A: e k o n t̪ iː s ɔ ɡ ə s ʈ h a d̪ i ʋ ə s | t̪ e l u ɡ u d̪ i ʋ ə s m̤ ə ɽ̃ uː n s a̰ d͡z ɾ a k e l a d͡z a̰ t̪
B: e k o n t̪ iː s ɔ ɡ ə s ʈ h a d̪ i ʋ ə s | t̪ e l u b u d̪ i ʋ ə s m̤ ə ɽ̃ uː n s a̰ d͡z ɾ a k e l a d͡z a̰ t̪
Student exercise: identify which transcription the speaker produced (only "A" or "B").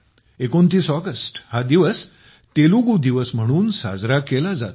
A